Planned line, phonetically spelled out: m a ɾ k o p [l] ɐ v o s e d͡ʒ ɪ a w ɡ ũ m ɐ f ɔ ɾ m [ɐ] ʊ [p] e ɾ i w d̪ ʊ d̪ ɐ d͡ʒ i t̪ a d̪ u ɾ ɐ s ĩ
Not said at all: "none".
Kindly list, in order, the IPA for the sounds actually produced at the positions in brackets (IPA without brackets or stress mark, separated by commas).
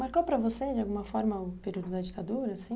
ɾ, ɐ, p